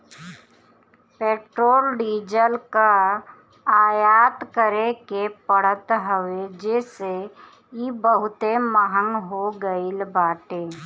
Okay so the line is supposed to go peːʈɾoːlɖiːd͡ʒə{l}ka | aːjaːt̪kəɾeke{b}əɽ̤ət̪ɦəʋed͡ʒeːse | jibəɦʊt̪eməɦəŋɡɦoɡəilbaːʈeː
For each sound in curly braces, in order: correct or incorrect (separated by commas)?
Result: correct, incorrect